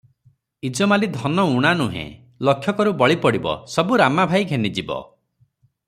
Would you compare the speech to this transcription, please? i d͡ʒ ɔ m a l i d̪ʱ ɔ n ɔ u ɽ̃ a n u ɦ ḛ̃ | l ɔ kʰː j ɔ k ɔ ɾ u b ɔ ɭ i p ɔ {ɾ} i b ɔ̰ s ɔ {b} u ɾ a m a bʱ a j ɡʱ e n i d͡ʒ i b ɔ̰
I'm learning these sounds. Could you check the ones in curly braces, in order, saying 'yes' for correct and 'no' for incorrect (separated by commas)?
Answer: no, yes